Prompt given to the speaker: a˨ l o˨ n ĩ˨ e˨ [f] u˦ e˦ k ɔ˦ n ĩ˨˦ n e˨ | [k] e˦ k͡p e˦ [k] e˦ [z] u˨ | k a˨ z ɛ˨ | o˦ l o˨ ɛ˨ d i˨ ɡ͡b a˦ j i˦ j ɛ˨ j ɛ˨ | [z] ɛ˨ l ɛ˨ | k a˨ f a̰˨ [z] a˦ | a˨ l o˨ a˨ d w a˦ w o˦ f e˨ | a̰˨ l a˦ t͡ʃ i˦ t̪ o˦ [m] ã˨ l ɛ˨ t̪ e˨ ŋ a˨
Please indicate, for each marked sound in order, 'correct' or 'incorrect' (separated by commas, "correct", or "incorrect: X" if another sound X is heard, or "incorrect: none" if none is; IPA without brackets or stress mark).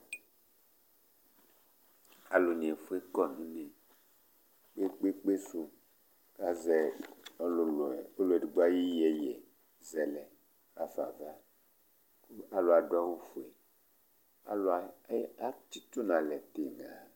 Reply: correct, incorrect: k͡p, incorrect: k͡p, incorrect: s, correct, incorrect: v, incorrect: n